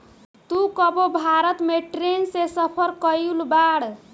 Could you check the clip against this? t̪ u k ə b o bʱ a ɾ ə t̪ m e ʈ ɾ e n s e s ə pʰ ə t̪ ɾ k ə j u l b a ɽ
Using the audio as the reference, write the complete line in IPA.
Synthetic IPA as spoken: t̪ u k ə b o bʱ a ɾ ə t̪ m e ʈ ɾ e n s e s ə pʰ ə ɾ k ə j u l b a ɽ